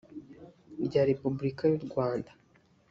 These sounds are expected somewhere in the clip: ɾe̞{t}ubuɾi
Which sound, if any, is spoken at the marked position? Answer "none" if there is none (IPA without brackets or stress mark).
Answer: p